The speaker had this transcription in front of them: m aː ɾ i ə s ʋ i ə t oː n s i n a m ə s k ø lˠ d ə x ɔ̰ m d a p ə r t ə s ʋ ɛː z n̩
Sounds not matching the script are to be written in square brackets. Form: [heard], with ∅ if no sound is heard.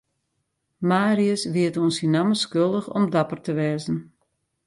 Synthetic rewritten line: m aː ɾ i ə s ʋ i ə t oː n s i n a m ə s k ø lˠ d ə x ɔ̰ m d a p ə r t ə [∅] ʋ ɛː z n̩